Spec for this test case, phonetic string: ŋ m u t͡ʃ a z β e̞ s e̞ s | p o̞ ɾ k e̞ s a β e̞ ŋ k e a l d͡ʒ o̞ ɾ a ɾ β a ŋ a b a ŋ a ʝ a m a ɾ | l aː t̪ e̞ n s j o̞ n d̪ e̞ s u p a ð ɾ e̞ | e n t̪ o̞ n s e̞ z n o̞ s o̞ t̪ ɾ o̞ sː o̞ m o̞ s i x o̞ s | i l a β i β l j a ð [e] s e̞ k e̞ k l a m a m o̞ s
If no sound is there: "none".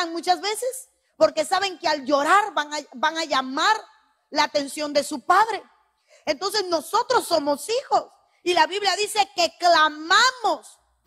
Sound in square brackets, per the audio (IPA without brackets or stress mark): i